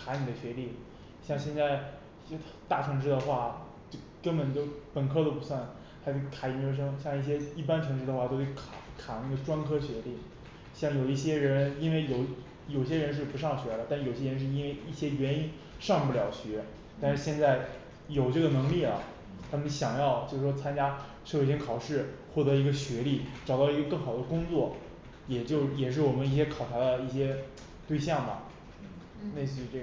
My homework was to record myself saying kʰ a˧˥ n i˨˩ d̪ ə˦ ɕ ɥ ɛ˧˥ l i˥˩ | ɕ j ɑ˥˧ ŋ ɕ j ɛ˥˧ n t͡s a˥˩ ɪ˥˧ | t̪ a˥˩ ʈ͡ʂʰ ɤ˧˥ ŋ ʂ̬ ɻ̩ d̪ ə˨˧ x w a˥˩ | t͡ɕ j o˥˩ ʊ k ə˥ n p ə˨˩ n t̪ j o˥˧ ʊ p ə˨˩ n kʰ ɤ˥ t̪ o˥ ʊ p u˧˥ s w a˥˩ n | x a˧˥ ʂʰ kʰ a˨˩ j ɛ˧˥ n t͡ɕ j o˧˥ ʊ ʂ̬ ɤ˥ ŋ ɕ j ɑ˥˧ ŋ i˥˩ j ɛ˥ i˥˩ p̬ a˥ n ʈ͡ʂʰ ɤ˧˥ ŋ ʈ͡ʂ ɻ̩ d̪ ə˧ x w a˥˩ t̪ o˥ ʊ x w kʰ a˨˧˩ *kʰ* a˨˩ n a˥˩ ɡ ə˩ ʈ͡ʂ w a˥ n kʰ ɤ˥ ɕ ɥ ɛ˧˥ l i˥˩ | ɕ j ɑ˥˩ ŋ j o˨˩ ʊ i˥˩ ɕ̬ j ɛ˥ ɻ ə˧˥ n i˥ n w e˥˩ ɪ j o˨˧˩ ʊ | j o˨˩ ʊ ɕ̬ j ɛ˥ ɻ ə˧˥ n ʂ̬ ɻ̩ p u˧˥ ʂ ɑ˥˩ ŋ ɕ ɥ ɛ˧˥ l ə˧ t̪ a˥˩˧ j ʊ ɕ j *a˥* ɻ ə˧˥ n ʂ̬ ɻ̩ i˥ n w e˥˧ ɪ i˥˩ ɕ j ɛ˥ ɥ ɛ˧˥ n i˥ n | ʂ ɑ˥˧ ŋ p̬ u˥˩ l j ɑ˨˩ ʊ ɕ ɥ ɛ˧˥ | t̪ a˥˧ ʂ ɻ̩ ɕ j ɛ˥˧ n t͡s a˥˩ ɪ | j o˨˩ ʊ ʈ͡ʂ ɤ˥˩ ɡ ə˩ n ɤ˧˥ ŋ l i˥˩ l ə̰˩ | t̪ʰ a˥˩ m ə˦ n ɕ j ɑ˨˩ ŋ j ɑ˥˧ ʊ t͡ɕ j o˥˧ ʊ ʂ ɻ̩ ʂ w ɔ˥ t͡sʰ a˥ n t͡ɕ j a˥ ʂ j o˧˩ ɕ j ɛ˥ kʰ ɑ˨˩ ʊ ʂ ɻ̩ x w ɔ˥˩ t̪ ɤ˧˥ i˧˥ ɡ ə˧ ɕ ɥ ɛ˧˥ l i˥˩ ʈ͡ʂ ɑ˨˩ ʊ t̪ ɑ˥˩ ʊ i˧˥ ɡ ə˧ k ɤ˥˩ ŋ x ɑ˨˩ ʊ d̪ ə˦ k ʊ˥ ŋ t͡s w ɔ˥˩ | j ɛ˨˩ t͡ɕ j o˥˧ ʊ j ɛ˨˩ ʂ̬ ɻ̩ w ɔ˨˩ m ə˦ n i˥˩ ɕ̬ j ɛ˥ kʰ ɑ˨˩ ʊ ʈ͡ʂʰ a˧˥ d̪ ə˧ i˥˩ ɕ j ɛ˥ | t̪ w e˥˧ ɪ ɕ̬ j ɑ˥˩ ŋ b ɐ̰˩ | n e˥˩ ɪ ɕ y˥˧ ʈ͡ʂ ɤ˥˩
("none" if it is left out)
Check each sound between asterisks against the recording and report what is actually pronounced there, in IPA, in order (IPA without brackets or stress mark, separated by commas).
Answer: kʰ, ɛ˥